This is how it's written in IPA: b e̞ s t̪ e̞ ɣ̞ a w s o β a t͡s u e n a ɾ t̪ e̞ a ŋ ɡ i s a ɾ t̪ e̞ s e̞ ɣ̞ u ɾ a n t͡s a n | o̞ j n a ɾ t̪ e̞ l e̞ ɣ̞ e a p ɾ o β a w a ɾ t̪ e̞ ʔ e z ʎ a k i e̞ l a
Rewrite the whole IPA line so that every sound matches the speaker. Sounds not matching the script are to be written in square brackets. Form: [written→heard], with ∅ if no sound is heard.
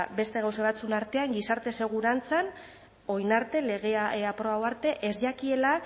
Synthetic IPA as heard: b e̞ s t̪ e̞ ɣ̞ a w s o β a t͡s u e n a ɾ t̪ e̞ a ŋ ɡ i s a ɾ t̪ e̞ s e̞ ɣ̞ u ɾ a n t͡s a n | o̞ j n a ɾ t̪ e̞ l e̞ ɣ̞ e a p ɾ o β a w a ɾ t̪ e̞ ʔ e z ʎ a k i e̞ l a